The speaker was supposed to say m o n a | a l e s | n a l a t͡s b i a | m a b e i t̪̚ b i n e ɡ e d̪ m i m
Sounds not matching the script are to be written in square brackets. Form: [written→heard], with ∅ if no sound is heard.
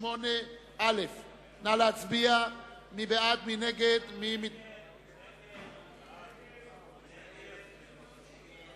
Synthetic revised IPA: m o n [a→e] | a l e [s→f] | n a l a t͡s b i a | m [a→i] b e [i→a] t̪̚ [b→m] i n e ɡ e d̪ m i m